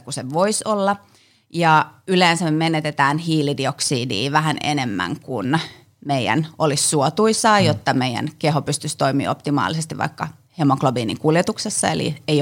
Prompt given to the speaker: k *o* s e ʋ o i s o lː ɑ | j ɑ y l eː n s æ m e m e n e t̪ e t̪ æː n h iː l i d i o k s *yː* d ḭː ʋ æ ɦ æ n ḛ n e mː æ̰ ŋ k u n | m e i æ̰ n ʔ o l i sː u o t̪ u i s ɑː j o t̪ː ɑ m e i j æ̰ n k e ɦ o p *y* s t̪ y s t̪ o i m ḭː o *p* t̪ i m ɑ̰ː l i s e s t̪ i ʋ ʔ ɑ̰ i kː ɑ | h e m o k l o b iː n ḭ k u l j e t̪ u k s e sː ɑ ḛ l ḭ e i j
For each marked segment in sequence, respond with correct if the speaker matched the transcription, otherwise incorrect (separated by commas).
incorrect, incorrect, correct, correct